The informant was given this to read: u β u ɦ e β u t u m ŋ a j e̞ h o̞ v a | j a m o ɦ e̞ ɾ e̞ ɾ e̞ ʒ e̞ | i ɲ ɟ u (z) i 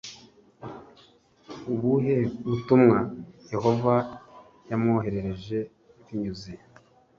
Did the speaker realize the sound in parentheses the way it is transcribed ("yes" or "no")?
yes